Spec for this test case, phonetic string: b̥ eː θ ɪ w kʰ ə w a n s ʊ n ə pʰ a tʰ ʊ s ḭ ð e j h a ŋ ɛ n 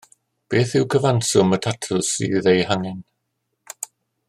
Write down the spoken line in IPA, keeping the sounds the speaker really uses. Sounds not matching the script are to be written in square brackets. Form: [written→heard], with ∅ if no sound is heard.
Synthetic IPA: b̥ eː θ ɪ w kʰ ə [w→v] a n s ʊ [n→m] ə [pʰ→tʰ] a tʰ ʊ s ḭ ð e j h a ŋ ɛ n